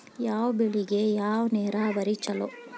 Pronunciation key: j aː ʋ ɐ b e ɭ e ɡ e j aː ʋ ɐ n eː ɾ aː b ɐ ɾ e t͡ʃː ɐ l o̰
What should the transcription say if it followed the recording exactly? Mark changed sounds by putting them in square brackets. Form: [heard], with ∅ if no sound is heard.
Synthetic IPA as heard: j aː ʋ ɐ b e ɭ [i] ɡ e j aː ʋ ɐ n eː ɾ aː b ɐ ɾ [i] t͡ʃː ɐ l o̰